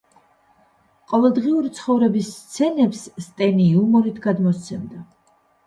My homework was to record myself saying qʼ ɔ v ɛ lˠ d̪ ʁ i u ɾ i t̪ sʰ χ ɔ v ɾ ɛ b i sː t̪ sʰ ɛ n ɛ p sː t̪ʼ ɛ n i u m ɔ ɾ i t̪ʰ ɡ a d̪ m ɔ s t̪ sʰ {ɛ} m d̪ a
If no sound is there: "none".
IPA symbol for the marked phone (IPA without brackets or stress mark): ɛ